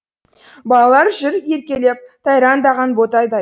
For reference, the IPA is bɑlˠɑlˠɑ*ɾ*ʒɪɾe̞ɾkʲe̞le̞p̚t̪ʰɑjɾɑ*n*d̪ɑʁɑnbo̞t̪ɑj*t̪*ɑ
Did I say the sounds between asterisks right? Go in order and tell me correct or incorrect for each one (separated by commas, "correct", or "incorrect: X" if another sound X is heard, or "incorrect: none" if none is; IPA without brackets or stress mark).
correct, correct, incorrect: d̪